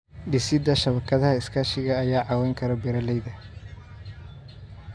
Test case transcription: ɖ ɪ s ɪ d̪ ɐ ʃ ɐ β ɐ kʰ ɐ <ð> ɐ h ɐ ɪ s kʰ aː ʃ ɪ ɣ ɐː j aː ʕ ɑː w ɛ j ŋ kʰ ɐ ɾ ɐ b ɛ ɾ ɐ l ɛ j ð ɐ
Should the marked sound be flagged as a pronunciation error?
no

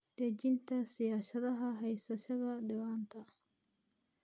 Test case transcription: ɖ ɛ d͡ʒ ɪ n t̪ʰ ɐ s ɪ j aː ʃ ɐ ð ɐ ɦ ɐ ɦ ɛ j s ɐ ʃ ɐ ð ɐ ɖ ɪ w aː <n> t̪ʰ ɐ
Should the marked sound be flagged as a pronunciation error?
no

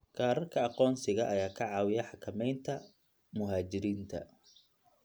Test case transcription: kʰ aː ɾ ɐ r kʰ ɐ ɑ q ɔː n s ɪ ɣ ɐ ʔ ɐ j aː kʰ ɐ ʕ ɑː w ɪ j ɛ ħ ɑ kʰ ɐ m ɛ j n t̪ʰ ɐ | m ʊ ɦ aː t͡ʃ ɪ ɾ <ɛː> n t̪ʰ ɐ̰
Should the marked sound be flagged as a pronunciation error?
yes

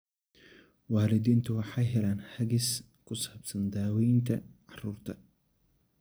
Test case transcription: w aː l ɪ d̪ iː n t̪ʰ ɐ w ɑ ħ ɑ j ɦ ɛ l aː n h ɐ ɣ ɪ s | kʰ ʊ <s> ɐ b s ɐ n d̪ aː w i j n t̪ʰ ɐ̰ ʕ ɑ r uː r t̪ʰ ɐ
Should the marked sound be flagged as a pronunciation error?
no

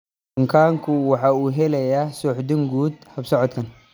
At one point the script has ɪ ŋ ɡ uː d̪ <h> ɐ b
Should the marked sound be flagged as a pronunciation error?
no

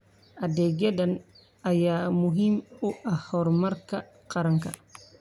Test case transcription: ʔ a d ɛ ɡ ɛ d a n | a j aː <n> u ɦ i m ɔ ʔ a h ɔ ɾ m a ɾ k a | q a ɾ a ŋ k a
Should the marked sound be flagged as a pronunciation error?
yes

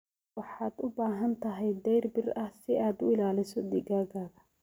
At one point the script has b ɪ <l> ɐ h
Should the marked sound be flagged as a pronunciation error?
yes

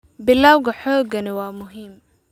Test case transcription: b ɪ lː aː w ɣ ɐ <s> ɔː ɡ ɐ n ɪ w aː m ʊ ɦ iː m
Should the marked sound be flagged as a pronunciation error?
yes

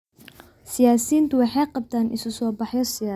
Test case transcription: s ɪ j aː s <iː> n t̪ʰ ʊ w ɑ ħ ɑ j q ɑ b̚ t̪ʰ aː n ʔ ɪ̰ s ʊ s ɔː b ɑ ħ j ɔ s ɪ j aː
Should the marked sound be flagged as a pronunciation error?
no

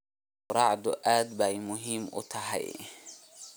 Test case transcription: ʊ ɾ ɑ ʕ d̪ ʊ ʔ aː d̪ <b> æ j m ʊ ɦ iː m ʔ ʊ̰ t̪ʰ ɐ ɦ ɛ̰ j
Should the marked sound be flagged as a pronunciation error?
no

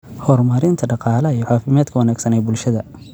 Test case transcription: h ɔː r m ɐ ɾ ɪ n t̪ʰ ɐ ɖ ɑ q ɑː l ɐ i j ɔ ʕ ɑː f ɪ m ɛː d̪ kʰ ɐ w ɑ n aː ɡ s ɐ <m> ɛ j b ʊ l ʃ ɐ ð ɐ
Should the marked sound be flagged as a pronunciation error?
yes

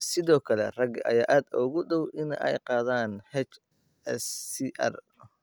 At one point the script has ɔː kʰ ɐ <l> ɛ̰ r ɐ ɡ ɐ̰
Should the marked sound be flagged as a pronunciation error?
no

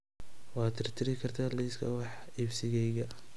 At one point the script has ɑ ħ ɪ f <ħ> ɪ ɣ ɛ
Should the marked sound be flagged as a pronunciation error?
yes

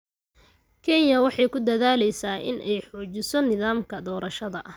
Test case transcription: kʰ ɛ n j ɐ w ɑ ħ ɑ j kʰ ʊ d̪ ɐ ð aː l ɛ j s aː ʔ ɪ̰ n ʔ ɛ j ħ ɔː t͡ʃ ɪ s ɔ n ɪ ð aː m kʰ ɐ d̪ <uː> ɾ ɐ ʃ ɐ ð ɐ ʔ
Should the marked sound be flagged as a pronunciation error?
yes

